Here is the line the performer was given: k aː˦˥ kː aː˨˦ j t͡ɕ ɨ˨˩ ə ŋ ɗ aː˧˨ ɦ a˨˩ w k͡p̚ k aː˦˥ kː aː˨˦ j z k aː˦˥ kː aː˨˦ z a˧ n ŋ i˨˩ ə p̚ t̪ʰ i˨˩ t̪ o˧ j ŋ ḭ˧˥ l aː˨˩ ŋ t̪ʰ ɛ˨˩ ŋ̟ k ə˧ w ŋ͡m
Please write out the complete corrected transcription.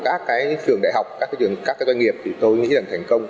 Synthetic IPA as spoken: k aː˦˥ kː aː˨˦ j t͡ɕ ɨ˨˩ ə ŋ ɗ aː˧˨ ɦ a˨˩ w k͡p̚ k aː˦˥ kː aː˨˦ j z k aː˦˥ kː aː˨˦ z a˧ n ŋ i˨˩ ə p̚ t̪ʰ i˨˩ t̪ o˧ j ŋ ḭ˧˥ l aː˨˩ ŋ t̪ʰ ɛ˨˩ ŋ̟ k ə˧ w ŋ͡m